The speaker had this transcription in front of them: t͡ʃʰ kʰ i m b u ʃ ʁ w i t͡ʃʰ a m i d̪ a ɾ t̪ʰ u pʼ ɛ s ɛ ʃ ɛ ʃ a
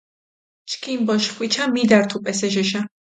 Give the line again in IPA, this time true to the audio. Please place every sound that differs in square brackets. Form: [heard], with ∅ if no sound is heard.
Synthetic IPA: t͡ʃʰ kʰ i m b [ɔ] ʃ [χ] w i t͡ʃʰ a m i d̪ a ɾ t̪ʰ u pʼ ɛ s ɛ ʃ ɛ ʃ a